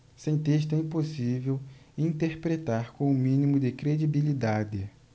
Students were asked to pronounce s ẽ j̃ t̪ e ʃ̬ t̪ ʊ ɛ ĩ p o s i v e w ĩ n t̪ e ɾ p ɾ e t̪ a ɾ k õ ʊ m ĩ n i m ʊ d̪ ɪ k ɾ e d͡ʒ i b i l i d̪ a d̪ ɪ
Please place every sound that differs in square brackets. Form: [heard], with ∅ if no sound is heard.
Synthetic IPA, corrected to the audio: s ẽ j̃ t̪ e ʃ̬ t̪ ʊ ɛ ĩ p o s i v e w ĩ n t̪ e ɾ p ɾ e t̪ a ɾ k õ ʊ m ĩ n i m ʊ d̪ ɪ k ɾ e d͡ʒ i b i l i d̪ a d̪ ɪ